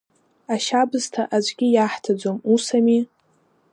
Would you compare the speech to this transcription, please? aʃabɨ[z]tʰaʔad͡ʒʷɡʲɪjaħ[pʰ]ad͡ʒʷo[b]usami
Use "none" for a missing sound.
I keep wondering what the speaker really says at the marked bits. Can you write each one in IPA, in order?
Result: z, tʰ, m

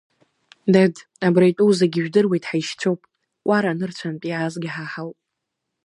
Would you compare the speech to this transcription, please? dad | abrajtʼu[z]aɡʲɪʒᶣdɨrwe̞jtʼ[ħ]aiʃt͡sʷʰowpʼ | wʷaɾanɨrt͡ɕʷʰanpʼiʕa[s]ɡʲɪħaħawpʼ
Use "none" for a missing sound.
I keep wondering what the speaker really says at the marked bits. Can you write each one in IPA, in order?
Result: z, ħ, z

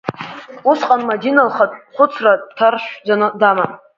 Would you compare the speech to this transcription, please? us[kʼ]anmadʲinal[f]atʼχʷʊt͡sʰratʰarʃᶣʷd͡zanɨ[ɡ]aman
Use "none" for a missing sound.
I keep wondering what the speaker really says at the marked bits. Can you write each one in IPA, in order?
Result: qʼ, χ, d

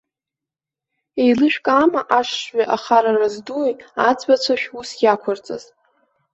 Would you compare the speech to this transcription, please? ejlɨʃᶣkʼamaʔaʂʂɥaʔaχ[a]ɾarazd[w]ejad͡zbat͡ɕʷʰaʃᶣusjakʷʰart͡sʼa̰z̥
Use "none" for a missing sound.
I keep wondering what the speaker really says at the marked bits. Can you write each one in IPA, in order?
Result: a, u

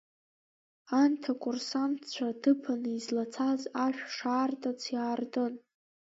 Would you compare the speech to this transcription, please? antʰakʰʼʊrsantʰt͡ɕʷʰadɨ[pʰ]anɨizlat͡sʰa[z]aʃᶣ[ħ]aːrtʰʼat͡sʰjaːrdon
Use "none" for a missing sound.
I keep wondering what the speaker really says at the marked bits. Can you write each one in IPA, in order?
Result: pʰ, z, ʂ

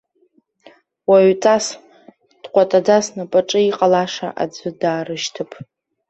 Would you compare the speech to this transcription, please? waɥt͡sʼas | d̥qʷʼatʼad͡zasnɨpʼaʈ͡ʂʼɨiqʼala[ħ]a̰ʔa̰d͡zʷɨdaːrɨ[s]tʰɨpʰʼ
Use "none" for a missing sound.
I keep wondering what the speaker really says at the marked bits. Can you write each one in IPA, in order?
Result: ʂ, ʃ

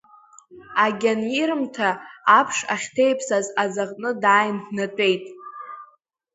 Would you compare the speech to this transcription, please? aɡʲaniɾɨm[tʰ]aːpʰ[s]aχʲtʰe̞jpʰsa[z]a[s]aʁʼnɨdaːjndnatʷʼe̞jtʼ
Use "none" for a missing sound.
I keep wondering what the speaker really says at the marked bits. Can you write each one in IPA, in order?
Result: tʰ, ʂ, z, z

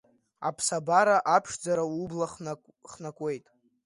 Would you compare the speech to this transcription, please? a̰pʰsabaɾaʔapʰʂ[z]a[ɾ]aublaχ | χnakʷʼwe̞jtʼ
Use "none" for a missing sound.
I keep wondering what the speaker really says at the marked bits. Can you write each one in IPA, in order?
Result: d͡z, ɾ

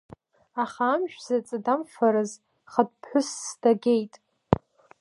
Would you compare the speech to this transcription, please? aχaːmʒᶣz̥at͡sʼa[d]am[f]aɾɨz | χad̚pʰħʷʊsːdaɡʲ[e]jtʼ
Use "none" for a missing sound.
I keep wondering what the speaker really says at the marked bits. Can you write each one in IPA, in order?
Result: d, f, e

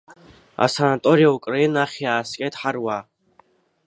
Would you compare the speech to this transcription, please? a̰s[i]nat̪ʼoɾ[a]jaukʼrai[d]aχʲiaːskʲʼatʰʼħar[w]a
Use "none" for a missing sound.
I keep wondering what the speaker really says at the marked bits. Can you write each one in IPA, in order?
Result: a, i, n, w

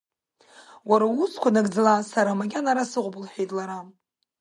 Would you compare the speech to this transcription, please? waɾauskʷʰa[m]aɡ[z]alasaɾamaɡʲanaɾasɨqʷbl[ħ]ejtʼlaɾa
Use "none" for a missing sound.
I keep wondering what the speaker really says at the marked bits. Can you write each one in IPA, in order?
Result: n, d͡z, ħ

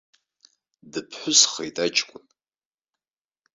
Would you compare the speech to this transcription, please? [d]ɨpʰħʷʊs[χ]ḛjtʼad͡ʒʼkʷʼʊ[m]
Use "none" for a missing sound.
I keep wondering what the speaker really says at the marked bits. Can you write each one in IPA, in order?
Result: d, χ, n

